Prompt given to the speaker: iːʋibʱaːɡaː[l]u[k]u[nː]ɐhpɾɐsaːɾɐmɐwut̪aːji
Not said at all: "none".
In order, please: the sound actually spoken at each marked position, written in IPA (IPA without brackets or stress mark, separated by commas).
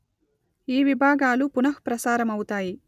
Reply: l, p, n